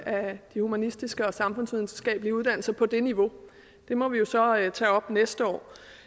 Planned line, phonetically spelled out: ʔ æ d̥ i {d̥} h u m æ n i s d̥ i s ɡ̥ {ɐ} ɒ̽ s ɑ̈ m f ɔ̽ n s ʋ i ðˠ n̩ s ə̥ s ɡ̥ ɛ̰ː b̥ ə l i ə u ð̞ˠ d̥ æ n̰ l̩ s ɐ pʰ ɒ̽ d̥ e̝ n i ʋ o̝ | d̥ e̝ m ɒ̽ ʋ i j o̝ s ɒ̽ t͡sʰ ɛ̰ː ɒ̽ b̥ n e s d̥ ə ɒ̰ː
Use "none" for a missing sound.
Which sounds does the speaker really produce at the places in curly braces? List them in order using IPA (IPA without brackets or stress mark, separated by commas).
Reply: none, ə